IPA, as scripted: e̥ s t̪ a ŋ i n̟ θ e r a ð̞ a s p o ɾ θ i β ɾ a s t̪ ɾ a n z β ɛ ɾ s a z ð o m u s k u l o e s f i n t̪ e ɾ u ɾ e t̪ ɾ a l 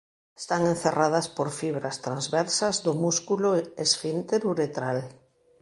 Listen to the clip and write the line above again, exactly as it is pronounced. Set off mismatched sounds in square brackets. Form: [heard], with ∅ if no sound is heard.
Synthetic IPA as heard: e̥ s t̪ a ŋ [e] n̟ θ e r a ð̞ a s p o ɾ [f] i β ɾ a s t̪ ɾ a n z β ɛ ɾ s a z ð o m u s k u l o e s f i n t̪ e ɾ u ɾ e t̪ ɾ a l